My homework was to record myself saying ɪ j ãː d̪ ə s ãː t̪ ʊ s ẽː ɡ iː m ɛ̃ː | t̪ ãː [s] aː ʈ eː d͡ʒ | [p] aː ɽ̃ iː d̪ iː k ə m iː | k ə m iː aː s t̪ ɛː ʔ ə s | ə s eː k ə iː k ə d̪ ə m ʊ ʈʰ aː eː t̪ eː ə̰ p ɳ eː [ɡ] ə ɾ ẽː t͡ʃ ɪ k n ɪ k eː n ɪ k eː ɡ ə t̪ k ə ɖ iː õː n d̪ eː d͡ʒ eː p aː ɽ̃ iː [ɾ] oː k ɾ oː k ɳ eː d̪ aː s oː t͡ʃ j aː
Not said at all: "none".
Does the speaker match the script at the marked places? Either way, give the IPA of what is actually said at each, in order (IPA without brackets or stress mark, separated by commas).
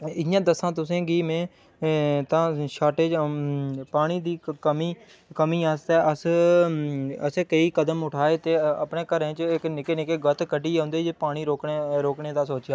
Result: ʃ, p, k, ɾ